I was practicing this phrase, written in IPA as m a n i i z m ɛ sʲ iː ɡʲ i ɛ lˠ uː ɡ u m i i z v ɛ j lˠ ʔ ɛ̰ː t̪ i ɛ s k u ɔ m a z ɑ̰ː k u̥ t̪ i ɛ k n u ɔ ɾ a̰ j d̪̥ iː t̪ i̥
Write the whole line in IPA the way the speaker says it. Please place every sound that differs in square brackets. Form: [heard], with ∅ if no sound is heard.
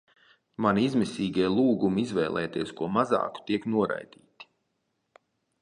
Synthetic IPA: m a n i i z m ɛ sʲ iː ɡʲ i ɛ lˠ uː ɡ u m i i z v ɛ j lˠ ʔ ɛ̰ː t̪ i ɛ s k u ɔ m a z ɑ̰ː k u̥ t̪ i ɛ k n u ɔ ɾ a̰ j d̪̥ iː t̪ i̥